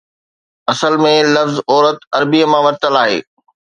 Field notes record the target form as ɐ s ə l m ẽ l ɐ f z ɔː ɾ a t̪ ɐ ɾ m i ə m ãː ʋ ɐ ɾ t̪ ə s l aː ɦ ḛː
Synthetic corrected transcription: ɐ s ə l m ẽ l ɐ f z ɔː ɾ ə t̪ ɐ ɾ b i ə m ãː ʋ ɐ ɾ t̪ ə l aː ɦ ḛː